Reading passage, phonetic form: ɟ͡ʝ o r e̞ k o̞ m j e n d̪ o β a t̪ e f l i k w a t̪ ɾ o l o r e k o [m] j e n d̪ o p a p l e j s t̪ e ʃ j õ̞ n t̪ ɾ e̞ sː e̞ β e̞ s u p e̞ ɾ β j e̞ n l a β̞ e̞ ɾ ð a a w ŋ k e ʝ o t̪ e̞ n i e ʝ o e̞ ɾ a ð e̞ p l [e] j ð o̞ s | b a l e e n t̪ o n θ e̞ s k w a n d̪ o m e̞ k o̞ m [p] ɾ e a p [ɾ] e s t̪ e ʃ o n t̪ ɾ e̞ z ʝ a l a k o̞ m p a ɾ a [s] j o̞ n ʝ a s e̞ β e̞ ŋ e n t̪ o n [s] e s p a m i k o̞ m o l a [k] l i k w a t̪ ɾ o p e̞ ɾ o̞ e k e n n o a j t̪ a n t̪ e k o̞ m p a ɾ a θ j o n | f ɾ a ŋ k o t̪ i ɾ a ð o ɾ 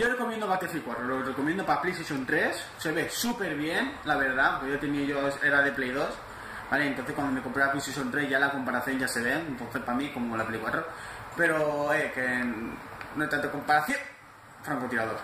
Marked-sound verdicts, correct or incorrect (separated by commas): correct, correct, correct, incorrect, incorrect, incorrect, incorrect